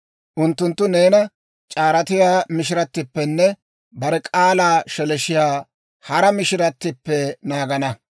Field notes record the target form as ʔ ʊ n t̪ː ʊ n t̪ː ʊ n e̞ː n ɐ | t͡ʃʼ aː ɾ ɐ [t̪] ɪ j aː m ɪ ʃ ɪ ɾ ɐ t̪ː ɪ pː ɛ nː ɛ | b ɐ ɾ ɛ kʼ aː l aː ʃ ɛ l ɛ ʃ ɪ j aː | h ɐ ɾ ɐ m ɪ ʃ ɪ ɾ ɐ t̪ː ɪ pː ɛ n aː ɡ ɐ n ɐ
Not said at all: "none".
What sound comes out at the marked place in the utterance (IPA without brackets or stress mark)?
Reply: t̪